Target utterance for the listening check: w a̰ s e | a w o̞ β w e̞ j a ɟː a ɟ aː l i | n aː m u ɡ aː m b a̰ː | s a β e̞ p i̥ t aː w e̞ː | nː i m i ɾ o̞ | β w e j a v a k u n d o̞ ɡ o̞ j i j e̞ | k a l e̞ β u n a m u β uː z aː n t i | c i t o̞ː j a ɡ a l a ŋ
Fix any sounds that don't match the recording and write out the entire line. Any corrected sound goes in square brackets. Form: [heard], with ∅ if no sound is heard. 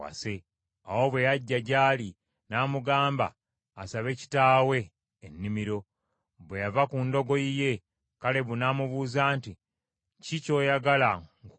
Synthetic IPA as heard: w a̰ s e | a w o̞ β w e̞ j a ɟː a ɟ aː l i | n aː m u ɡ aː m b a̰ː | s a β e̞ [c] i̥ t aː w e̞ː | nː i m i ɾ o̞ | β w e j a v a k u n d o̞ ɡ o̞ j i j e̞ | k a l e̞ β u n a m u β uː z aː n t i | c i [c] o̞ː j a ɡ a l a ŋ